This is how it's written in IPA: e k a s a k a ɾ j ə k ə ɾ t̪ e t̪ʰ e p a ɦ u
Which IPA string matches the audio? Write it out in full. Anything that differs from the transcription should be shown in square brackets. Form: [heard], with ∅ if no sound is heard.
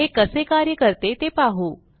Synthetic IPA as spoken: e k [ə] s [e] k a ɾ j ə k ə ɾ t̪ e [t̪] e p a ɦ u